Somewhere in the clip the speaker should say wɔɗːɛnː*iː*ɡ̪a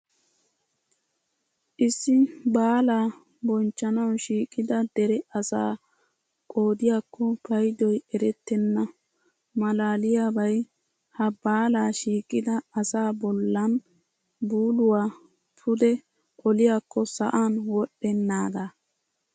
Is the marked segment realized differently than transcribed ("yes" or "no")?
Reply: yes